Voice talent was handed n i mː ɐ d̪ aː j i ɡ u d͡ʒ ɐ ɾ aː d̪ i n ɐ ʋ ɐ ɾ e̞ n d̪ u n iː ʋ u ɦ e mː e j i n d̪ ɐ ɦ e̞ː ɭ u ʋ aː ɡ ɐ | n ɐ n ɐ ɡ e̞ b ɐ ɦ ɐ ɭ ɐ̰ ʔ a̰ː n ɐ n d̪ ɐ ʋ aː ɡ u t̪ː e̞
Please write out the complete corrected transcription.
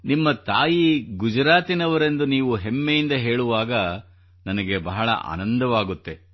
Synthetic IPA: n i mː ɐ t̪ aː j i ɡ u d͡ʒ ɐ ɾ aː t̪ i n ɐ ʋ ɐ ɾ e̞ n d̪ u n iː ʋ u ɦ e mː e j i n d̪ ɐ ɦ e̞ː ɭ u ʋ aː ɡ ɐ | n ɐ n ɐ ɡ e̞ b ɐ ɦ ɐ ɭ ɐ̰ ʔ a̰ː n ɐ n d̪ ɐ ʋ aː ɡ u t̪ː e̞

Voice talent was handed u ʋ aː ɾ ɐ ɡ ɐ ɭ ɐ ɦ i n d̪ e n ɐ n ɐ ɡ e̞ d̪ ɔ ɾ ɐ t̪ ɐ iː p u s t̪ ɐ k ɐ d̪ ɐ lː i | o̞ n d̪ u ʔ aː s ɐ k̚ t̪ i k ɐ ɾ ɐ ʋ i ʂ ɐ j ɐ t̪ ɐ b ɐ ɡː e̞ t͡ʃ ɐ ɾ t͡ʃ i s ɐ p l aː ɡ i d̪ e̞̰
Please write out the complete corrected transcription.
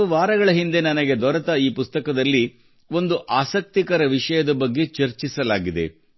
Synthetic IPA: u ʋ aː ɾ ɐ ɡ ɐ ɭ ɐ ɦ i n d̪ e n ɐ n ɐ ɡ e̞ d̪ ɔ ɾ ɐ t̪ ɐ iː p u s t̪ ɐ k ɐ d̪ ɐ lː i | o̞ n d̪ u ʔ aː s ɐ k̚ t̪ i k ɐ ɾ ɐ ʋ i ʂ ɐ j ɐ d̪ ɐ b ɐ ɡː e̞ t͡ʃ ɐ ɾ t͡ʃ i s ɐ l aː ɡ i d̪ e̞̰

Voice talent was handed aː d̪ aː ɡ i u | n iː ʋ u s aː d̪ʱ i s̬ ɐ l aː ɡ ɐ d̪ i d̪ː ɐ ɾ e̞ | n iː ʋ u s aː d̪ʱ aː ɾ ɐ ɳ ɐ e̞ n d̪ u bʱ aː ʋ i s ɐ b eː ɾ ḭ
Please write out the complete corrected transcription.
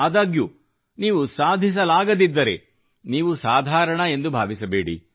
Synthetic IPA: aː d̪ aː ɡ j u | n iː ʋ u s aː d̪ʱ i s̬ ɐ l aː ɡ ɐ d̪ i d̪ː ɐ ɾ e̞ | n iː ʋ u s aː d̪ʱ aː ɾ ɐ ɳ ɐ e̞ n d̪ u bʱ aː ʋ i s ɐ b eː ɽ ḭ

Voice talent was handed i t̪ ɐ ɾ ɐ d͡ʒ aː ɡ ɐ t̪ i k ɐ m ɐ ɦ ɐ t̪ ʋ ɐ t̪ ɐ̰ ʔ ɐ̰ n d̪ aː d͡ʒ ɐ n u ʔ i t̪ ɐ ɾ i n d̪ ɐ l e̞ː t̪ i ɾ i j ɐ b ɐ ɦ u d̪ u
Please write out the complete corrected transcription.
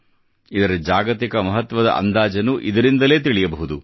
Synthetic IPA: i d̪ ɐ ɾ ɐ d͡ʒ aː ɡ ɐ t̪ i k ɐ m ɐ ɦ ɐ t̪ ʋ ɐ d̪ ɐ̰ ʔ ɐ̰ n d̪ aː d͡ʒ ɐ n u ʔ i d̪ ɐ ɾ i n d̪ ɐ l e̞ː t̪ i ɭ i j ɐ b ɐ ɦ u d̪ u

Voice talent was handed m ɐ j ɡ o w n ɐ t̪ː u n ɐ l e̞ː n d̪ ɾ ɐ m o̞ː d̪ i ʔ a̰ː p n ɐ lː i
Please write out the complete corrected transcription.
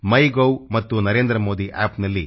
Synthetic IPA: m ɐ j ɡ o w m ɐ t̪ː u n ɐ ɾ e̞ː n d̪ ɾ ɐ m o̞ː d̪ i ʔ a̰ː p n ɐ lː i

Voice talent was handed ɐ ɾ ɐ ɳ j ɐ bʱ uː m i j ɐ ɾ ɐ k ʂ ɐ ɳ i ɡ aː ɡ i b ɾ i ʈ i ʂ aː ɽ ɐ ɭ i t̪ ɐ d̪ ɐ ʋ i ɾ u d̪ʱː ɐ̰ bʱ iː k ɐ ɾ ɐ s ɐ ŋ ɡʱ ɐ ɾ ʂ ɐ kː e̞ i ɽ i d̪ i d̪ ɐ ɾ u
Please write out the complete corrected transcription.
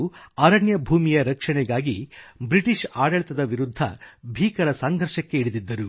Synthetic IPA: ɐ ɾ ɐ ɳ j ɐ bʱ uː m i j ɐ ɾ ɐ k ʂ ɐ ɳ ɛ ɡ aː ɡ i b ɾ i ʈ i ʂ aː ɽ ɐ ɭ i t̪ ɐ d̪ ɐ ʋ i ɾ u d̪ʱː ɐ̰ bʱ iː k ɐ ɾ ɐ s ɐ ŋ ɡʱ ɐ ɾ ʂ ɐ kː e̞ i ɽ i d̪ i d̪ː ɐ ɾ u

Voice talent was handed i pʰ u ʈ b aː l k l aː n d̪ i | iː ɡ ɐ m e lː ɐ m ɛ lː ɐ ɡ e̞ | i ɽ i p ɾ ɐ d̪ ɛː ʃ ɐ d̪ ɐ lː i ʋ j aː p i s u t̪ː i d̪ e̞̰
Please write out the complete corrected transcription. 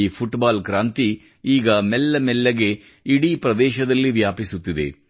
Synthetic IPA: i pʰ u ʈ b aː l k ɾ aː n t̪ i | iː ɡ ɐ m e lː ɐ m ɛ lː ɐ ɡ e̞ | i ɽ i p ɾ ɐ d̪ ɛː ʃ ɐ d̪ ɐ lː i ʋ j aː p i s u t̪ː i d̪ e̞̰

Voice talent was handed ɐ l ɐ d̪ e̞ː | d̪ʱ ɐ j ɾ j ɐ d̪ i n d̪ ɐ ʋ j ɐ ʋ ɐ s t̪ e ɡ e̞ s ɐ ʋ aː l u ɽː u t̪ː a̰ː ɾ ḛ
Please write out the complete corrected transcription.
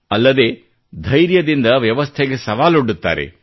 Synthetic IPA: ɐ lː ɐ d̪ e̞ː | d̪ʱ ɐ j ɾ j ɐ d̪ i n d̪ ɐ ʋ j ɐ ʋ ɐ s t̪ʰ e ɡ e̞ s ɐ ʋ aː l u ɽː u t̪ː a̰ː ɾ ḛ

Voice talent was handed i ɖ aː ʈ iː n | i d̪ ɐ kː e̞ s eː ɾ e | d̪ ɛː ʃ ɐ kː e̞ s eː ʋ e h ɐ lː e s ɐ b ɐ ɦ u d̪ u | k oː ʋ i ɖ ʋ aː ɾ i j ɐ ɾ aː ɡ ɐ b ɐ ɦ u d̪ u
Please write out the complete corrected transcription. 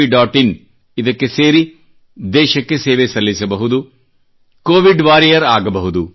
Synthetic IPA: i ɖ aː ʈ i n | i d̪ ɐ kː e̞ s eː ɾ i | d̪ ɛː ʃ ɐ kː e̞ s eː ʋ e s ɐ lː i s ɐ b ɐ ɦ u d̪ u | k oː ʋ i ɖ ʋ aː ɾ i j ɐ ɾ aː ɡ ɐ b ɐ ɦ u d̪ u

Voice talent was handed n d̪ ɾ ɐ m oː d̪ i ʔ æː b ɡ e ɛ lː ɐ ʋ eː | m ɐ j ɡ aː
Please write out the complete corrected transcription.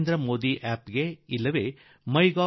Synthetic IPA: n d̪ ɾ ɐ m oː d̪ i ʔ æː p ɡ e i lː ɐ ʋ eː | m ɐ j ɡ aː

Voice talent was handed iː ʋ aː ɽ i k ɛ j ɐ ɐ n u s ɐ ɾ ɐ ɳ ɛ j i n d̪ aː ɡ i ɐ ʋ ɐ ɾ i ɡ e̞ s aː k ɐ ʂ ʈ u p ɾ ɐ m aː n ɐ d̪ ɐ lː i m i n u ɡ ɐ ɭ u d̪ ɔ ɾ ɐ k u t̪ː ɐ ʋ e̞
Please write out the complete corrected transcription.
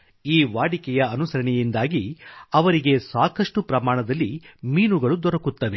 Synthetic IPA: iː ʋ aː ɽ i k ɛ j ɐ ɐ n u s ɐ ɾ ɐ ɳ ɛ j i n d̪ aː ɡ i ɐ ʋ ɐ ɾ i ɡ e̞ s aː k ɐ ʂ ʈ u p ɾ ɐ m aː ɳ ɐ d̪ ɐ lː i m iː n u ɡ ɐ ɭ u d̪ ɔ ɾ ɐ k u t̪ː ɐ ʋ e̞

